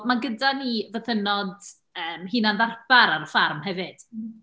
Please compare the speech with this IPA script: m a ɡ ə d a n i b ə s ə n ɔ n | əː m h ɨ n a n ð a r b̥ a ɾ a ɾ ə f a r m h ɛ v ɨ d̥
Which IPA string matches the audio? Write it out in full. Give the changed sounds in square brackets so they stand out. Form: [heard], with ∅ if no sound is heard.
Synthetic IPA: m a ɡ ə d a n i [v] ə [θ] ə n ɔ [d] | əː m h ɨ n a n ð a r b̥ a ɾ a ɾ ə f a r m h ɛ v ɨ d̥